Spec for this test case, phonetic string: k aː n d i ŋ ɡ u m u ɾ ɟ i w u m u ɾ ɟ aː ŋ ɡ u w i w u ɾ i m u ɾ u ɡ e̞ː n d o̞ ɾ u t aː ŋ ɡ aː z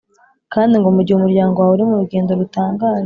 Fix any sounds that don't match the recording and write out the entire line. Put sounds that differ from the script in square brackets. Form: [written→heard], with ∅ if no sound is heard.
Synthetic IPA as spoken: k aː n d i ŋ ɡ [u→o] m u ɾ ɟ i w u m u ɾ ɟ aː ŋ ɡ [u→o] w [i→a] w u ɾ i m u ɾ u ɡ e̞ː n d o̞ ɾ u t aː ŋ ɡ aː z